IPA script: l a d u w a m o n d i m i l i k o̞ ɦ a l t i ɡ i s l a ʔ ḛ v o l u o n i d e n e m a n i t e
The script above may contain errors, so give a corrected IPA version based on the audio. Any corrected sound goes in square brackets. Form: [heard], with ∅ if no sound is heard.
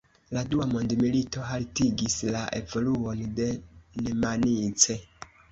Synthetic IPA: l a d u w a m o n d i m i l i [t] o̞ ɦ a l t i ɡ i s l a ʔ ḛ v o l u o n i d e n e m a n i [t͡s] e